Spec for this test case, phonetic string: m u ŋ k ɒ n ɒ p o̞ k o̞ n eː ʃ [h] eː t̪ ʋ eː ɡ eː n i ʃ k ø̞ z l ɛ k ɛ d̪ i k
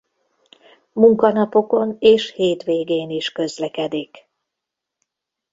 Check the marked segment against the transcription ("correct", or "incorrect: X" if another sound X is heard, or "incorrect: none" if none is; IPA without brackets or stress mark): correct